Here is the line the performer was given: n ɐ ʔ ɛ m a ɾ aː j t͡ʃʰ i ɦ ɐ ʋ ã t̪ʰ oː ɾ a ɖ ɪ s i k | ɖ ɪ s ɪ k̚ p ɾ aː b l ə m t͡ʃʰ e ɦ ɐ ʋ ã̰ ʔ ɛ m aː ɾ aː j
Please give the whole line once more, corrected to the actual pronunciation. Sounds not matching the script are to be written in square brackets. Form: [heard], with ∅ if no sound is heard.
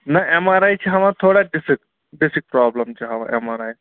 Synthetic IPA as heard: n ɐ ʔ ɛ m a ɾ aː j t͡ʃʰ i ɦ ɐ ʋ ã t̪ʰ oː [ɽ] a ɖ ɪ s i k | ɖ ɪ s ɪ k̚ p ɾ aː b l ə m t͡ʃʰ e ɦ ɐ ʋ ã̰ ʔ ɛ m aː ɾ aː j